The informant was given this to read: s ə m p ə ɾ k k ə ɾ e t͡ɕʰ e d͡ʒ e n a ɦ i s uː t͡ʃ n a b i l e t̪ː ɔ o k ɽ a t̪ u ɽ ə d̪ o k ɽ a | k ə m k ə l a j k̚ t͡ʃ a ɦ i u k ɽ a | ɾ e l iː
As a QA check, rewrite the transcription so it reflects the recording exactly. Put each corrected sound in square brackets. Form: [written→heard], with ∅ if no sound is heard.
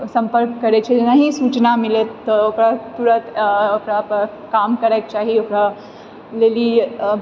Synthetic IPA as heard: s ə m p ə ɾ k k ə ɾ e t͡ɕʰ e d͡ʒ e n a ɦ i s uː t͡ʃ n a [b→m] i l e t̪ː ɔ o k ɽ a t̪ u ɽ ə [d̪→t̪] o k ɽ a | k [ə→a] m k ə [l→ɾ] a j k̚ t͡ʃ a ɦ i [u→o] k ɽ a | [ɾ→l] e l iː